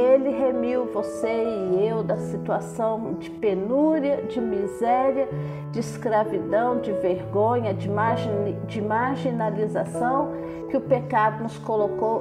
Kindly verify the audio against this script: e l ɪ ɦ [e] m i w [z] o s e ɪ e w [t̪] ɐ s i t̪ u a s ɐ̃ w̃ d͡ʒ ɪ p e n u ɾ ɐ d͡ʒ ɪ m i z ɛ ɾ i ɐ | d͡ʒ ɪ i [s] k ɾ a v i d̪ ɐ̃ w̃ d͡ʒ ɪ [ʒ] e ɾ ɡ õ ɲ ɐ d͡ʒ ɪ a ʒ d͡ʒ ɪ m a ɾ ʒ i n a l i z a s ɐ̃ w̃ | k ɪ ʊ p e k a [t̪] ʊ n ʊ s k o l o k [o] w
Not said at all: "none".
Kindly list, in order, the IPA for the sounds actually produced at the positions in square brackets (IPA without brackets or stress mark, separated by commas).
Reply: e, v, d̪, s, v, d̪, o